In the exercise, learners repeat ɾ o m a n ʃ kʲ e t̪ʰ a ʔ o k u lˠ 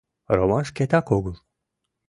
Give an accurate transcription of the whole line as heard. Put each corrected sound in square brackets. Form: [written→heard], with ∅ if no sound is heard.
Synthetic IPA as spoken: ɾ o m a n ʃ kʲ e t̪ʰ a [ʔ→k] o [k→ɡ] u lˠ